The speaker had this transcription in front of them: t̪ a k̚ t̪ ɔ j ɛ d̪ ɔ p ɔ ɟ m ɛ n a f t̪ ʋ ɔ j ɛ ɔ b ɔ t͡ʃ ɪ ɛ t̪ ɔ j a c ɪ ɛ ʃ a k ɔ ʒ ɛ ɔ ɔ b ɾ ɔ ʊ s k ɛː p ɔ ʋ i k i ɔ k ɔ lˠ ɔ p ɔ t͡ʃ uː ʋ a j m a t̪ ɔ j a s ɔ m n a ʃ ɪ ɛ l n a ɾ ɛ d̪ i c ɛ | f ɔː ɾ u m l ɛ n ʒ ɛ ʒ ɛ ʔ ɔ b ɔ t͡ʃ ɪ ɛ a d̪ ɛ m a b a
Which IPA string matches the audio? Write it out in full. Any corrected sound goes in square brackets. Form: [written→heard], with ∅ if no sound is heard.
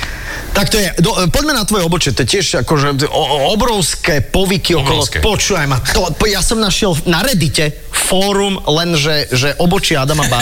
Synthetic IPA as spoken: t̪ a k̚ t̪ ɔ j ɛ d̪ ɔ p ɔ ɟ m ɛ n a [f→∅] t̪ ʋ ɔ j ɛ ɔ b ɔ t͡ʃ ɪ ɛ t̪ ɔ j [a→ɛ] c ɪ ɛ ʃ a k ɔ ʒ ɛ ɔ ɔ b ɾ ɔ ʊ s k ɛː p ɔ ʋ i k i ɔ k ɔ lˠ ɔ p ɔ t͡ʃ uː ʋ a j m a t̪ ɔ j a s ɔ m n a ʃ ɪ ɛ l n a ɾ ɛ d̪ i c ɛ | f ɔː ɾ u m l ɛ n ʒ ɛ ʒ ɛ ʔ ɔ b ɔ t͡ʃ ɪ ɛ a d̪ [ɛ→a] m a b a